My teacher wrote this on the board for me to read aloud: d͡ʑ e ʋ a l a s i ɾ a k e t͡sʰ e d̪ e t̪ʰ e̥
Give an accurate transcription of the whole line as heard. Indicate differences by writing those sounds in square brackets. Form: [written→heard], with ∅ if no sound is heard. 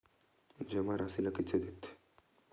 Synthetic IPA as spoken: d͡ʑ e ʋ a [l→ɾ] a s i [ɾ→l] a k [e→i] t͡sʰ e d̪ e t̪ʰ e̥

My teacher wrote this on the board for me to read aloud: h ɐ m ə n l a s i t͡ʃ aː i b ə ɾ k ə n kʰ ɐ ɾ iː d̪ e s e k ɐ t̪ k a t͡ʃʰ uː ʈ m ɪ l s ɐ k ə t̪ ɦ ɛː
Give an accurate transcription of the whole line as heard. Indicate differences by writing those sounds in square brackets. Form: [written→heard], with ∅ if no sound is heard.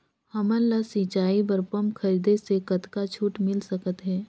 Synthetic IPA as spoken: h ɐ m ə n l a s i t͡ʃ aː i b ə ɾ [k→p] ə [n→m] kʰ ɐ ɾ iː d̪ e s e k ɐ t̪ k a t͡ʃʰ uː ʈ m ɪ l s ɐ k ə t̪ ɦ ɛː

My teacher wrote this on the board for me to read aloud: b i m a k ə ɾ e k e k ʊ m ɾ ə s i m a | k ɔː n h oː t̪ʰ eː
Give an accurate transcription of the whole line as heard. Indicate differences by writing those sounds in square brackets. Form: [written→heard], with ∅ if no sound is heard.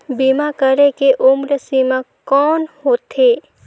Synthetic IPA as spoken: b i m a k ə ɾ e k e [k→ʔ] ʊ m ɾ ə s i m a | k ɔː n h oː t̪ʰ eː

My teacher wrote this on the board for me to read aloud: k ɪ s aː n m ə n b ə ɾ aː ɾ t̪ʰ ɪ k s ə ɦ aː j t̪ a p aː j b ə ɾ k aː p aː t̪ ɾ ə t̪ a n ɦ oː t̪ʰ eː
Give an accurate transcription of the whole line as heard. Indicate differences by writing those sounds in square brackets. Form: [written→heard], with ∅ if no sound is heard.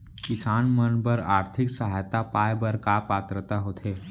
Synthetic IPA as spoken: k ɪ s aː n m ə n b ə ɾ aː ɾ t̪ʰ ɪ k s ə ɦ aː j t̪ a p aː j b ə ɾ k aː p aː t̪ ɾ ə t̪ a [n→∅] ɦ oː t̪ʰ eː

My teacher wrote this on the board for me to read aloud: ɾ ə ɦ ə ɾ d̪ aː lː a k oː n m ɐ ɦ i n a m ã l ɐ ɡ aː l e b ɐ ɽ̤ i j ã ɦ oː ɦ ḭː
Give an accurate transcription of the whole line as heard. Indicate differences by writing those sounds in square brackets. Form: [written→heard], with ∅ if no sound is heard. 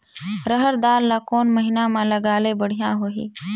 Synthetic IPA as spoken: ɾ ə ɦ ə ɾ d̪ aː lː a k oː n m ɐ ɦ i n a m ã l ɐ ɡ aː l e b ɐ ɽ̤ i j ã ɦ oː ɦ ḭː

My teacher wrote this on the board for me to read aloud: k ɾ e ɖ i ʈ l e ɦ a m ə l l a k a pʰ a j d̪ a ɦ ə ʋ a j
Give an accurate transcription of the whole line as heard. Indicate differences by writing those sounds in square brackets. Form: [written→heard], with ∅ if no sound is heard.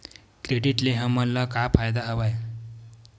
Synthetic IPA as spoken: k ɾ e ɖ i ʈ l e ɦ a m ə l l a k a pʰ a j d̪ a ɦ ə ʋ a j

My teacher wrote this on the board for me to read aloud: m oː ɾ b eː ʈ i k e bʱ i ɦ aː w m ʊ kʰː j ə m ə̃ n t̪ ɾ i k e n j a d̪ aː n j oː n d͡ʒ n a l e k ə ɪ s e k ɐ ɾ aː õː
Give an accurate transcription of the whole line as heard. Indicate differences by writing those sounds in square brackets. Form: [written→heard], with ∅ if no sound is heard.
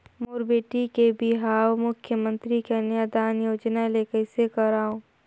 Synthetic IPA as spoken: m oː ɾ b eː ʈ i k e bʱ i ɦ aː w m ʊ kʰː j ə m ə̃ n t̪ ɾ i k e n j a d̪ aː n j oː [n→∅] d͡ʒ n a l e k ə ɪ s e k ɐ ɾ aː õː

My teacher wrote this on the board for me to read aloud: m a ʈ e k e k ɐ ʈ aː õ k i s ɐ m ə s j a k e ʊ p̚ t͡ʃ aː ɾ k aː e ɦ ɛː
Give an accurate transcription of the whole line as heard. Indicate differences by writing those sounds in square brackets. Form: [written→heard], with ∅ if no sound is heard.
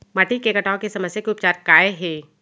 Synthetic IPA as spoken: m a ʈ [e→i] k e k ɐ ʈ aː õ k [i→e] s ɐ m ə s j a k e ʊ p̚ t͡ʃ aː ɾ k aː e ɦ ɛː

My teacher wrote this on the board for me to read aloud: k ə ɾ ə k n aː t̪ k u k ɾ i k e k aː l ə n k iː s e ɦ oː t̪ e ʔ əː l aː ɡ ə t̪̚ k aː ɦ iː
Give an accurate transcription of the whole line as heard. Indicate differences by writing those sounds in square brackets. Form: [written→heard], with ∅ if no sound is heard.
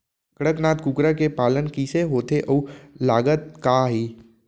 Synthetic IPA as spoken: k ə [ɾ→ɽ] ə k n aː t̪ k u k ɾ [i→a] k e [k→p] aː l ə n k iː s e ɦ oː t̪ e ʔ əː l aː ɡ ə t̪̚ k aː ɦ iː

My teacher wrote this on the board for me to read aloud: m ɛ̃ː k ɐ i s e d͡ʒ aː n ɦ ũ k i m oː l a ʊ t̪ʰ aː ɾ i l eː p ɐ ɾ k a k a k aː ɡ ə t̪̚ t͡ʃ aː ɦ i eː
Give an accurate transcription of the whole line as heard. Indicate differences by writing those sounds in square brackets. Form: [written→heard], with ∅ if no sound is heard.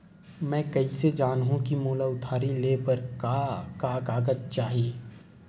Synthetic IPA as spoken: m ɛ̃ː k ɐ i s e d͡ʒ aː n ɦ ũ k i m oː l a ʊ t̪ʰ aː ɾ i l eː p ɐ ɾ k a k a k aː ɡ ə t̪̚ t͡ʃ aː ɦ i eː

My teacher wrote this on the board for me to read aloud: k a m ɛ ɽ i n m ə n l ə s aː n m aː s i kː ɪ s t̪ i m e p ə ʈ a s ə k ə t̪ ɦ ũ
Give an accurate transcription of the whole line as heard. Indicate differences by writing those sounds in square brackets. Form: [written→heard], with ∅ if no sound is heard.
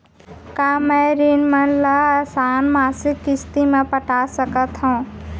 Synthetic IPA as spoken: k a m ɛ [ɽ→ɾ] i n m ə n l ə s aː n m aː s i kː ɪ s t̪ i m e p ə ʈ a s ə k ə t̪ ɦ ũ

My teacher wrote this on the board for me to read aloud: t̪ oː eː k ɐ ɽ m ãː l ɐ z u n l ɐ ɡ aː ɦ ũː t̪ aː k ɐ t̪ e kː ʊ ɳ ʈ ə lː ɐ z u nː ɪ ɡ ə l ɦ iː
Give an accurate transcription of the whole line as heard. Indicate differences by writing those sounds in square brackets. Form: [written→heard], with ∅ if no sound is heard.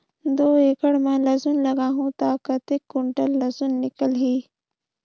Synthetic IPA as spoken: [t̪→d̪] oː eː k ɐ ɽ m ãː l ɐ z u n l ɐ ɡ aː ɦ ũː t̪ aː k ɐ t̪ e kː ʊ ɳ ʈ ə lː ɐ z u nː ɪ [ɡ→k] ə l ɦ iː

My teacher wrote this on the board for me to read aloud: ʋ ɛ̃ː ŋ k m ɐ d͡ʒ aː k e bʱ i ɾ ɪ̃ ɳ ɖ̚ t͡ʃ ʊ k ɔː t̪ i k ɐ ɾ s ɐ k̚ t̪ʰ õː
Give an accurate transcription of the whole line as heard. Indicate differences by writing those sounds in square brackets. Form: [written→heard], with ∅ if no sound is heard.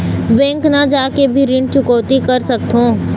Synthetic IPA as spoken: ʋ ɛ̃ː ŋ k [m→n] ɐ d͡ʒ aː k e bʱ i ɾ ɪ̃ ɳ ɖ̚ t͡ʃ ʊ k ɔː t̪ i k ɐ ɾ s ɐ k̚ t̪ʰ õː

